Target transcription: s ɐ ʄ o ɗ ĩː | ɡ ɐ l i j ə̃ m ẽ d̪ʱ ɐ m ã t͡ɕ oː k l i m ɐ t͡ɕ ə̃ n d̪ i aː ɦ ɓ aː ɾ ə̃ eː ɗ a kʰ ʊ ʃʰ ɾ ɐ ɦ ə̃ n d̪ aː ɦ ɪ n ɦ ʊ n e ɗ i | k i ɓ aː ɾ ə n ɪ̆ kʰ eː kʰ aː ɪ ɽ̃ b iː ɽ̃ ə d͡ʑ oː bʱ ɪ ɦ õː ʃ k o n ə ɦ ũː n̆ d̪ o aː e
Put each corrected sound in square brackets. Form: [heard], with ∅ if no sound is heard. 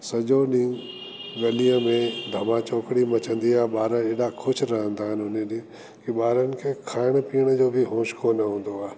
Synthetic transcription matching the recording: s ɐ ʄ o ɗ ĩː | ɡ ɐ l i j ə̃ m ẽ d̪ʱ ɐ m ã t͡ɕ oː k [ɽ] i m ɐ t͡ɕ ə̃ n d̪ i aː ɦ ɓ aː ɾ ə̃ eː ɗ a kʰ ʊ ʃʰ ɾ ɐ ɦ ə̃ n d̪ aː ɦ ɪ n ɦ ʊ n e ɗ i | k i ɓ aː ɾ ə n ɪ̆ kʰ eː kʰ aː ɪ ɽ̃ [p] iː ɽ̃ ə d͡ʑ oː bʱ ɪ ɦ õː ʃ k o n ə ɦ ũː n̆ d̪ o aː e